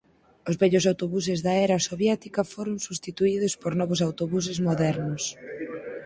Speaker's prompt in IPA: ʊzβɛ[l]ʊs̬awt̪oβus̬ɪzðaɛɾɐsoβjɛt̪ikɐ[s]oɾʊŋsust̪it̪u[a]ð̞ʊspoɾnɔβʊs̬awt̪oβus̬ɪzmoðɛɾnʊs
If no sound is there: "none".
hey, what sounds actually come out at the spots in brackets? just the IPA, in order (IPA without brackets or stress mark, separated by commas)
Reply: ʎ, f, i